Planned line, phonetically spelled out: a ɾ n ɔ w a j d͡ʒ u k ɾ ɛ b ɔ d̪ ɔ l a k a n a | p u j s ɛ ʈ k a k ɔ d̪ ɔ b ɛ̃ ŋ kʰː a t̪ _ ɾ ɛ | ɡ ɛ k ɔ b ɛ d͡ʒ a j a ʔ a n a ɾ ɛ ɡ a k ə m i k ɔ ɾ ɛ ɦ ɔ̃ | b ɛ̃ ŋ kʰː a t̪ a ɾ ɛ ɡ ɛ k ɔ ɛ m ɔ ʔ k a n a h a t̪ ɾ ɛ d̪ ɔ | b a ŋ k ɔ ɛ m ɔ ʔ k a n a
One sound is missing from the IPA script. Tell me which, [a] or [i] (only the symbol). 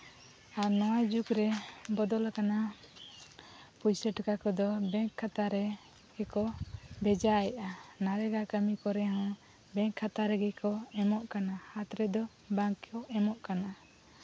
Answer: a